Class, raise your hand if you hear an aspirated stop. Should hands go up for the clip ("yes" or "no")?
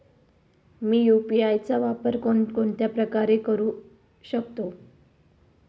no